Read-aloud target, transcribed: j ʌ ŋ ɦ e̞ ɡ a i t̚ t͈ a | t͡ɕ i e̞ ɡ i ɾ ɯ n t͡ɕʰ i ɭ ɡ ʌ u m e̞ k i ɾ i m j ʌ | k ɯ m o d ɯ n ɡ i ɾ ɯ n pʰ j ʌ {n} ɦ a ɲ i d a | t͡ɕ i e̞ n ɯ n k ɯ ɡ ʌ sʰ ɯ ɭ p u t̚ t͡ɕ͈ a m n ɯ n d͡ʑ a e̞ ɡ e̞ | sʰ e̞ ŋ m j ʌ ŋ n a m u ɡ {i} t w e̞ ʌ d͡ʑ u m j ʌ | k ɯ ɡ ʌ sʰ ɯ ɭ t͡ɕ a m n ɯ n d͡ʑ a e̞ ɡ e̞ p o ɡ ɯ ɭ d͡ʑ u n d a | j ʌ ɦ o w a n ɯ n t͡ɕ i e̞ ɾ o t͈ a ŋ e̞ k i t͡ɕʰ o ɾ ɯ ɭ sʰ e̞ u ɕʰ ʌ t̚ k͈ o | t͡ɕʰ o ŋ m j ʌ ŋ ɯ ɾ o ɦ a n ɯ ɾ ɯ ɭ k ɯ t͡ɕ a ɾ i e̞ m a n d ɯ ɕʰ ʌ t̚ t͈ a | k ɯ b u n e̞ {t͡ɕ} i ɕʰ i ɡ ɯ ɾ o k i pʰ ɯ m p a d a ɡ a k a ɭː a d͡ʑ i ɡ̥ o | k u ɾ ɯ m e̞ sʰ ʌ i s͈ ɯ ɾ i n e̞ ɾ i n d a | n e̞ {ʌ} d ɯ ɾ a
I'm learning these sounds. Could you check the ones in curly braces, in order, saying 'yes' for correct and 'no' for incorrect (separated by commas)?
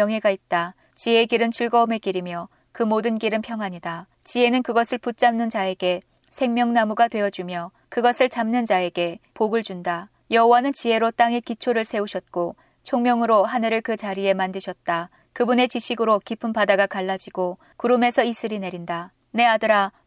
no, no, yes, no